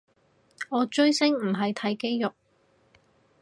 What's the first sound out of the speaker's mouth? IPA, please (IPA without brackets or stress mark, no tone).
ɔː